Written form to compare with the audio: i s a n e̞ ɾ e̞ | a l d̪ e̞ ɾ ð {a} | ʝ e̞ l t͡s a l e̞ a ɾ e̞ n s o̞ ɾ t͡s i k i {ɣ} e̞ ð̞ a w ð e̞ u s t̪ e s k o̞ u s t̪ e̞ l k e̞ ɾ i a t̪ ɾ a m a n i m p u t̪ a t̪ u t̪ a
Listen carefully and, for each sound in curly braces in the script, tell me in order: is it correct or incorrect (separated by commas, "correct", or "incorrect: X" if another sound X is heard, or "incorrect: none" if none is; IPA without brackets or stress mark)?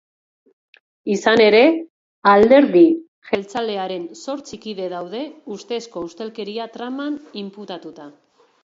incorrect: i, incorrect: ð